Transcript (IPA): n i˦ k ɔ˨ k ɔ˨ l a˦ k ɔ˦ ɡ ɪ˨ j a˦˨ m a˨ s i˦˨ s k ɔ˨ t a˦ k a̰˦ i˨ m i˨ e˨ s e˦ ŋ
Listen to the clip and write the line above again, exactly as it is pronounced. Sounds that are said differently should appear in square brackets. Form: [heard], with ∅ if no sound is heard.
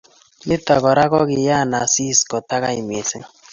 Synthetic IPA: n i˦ [t] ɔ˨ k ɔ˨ [ɾ] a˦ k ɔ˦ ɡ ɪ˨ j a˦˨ [n] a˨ s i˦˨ s k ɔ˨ t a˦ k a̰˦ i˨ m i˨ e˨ s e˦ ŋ